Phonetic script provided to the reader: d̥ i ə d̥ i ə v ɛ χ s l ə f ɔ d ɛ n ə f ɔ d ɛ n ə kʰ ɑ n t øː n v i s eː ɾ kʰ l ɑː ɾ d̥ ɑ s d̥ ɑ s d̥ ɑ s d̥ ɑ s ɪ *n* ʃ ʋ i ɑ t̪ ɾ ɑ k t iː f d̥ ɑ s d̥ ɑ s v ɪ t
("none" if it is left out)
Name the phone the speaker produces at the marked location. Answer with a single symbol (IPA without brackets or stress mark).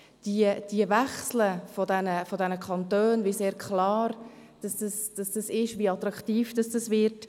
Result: none